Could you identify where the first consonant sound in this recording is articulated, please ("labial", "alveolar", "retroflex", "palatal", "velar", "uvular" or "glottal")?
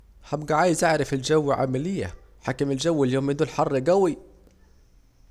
glottal